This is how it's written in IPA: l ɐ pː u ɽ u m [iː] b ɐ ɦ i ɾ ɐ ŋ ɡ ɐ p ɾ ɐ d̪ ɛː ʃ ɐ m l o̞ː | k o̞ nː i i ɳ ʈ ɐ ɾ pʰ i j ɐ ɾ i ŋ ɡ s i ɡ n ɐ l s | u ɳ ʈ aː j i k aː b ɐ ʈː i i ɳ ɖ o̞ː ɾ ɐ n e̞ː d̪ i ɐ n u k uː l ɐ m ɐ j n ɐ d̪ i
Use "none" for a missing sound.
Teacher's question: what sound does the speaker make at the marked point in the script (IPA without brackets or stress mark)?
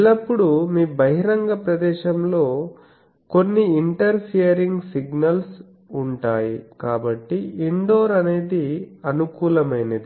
iː